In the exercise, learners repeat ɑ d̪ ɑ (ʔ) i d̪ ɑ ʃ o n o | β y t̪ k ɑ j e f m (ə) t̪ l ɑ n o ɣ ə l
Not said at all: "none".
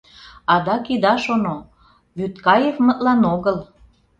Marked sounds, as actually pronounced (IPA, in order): k, ə

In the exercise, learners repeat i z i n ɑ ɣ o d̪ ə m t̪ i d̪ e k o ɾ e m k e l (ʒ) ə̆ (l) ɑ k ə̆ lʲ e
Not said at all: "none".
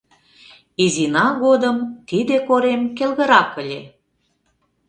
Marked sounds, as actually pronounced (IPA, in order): ɣ, ɾ

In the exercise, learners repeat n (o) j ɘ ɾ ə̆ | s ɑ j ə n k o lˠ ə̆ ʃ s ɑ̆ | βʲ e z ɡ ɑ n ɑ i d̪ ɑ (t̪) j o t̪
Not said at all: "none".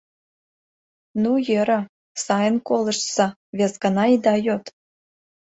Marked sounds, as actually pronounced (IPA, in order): u, none

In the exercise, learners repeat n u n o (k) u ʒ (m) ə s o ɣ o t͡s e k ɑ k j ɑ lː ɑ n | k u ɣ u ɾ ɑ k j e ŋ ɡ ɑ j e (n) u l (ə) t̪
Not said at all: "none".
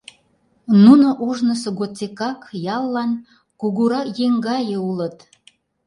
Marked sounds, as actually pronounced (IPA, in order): ʔ, n, none, ə

